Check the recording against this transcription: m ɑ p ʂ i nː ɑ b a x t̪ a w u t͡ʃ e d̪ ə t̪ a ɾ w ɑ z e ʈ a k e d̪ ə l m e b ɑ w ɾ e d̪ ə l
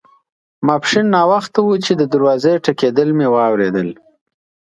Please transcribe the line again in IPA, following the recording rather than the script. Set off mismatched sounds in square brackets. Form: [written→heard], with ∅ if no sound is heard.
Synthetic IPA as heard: m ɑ p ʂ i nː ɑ [b→w] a x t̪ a w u t͡ʃ e d̪ ə [t̪→d̪] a ɾ w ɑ z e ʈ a k e d̪ ə l m e [b→w] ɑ w ɾ e d̪ ə l